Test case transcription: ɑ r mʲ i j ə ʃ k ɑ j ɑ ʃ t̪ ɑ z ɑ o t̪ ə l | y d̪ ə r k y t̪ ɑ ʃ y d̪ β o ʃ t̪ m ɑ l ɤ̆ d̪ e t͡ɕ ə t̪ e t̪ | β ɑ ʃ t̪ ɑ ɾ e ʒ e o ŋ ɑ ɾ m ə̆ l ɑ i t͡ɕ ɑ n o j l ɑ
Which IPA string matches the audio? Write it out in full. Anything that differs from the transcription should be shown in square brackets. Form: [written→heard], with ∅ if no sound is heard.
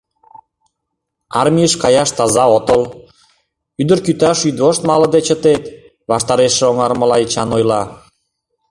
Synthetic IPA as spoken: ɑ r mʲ i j ə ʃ k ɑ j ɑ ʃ t̪ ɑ z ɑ o t̪ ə l | y d̪ ə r k y t̪ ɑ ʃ y d̪ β o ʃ t̪ m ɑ l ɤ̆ d̪ e t͡ɕ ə t̪ e t̪ | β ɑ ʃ t̪ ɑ ɾ e [ʒ→ʃ] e o ŋ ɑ ɾ m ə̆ l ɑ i t͡ɕ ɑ n o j l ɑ